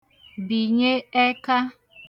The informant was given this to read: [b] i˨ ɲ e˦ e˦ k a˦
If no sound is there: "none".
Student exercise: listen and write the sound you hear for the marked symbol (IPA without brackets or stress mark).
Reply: b